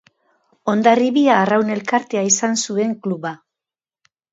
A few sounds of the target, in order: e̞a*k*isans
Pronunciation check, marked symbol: incorrect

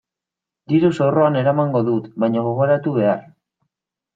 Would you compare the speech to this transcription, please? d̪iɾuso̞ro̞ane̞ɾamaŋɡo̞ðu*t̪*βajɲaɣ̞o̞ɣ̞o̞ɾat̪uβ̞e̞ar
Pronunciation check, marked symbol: correct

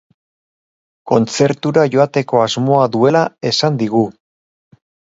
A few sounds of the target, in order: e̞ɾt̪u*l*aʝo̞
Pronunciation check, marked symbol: incorrect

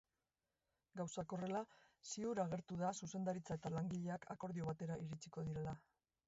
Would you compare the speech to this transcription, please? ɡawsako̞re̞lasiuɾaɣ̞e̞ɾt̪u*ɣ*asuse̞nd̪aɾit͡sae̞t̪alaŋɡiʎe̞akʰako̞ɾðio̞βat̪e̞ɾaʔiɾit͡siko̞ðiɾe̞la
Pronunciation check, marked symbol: incorrect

